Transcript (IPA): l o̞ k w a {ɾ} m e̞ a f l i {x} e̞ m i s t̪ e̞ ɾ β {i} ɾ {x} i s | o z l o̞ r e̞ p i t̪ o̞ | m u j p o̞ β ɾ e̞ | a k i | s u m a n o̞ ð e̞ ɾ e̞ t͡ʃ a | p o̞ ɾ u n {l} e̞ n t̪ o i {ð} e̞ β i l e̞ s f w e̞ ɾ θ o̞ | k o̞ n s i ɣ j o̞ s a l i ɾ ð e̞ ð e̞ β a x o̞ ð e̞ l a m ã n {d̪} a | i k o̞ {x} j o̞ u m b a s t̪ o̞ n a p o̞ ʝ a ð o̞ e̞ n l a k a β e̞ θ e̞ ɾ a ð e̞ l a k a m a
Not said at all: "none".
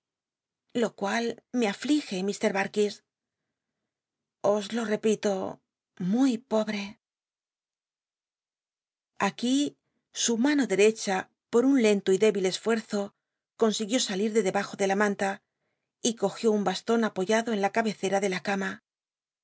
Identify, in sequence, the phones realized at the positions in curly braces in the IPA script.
l, x, a, k, l, ð, t̪, x

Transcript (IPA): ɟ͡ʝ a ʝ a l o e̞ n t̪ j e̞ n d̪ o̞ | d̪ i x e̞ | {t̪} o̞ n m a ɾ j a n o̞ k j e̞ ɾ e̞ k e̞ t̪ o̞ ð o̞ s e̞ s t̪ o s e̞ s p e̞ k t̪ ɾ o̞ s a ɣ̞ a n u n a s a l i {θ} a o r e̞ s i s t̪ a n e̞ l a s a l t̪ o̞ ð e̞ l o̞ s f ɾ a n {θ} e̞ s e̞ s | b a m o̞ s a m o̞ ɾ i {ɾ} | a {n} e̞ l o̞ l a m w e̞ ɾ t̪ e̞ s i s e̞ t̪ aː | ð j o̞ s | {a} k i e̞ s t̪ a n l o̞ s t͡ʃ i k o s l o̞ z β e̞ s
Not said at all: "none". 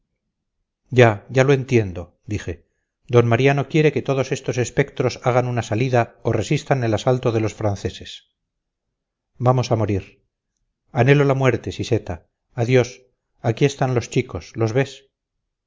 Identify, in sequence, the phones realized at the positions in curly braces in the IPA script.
d̪, ð, θ, ɾ, n, a

